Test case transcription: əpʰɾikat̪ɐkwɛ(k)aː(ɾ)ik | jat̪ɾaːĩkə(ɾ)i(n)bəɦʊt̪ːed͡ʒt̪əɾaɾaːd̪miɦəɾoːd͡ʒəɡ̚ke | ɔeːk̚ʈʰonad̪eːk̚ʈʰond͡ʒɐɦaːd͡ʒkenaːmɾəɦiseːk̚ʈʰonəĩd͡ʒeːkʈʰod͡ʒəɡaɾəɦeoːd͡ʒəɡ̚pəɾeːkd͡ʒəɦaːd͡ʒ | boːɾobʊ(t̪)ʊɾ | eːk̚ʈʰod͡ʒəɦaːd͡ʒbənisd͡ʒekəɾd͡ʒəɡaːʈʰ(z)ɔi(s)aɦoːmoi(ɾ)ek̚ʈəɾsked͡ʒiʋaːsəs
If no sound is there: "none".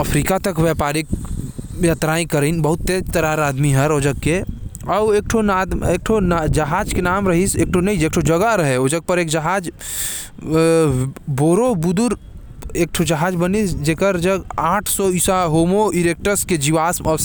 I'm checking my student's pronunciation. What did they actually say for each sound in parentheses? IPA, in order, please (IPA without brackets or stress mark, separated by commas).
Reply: p, ɾ, ɾ, n, d̪, s, s, ɾ